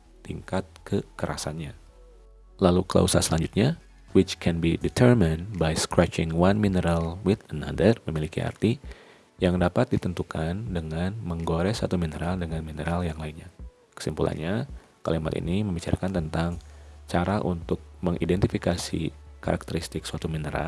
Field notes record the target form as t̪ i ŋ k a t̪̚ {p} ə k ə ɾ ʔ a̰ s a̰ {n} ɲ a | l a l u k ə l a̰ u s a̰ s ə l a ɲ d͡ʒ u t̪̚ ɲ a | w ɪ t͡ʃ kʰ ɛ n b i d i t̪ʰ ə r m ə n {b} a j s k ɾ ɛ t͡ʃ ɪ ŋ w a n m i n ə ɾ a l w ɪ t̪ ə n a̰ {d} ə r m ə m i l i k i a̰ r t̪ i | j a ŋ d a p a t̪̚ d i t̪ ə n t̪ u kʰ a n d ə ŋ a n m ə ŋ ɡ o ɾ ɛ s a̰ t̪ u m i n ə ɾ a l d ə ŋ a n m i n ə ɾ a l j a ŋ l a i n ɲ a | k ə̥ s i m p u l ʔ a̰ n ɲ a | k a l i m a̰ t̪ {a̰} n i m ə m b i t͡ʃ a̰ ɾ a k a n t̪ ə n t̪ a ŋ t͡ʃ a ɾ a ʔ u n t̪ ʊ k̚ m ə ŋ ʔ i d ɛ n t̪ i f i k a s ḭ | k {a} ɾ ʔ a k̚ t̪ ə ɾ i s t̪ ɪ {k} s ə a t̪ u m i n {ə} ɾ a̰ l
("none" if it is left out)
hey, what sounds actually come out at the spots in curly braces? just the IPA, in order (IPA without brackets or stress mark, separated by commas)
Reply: k, n, b, d, ḭ, a, k, ə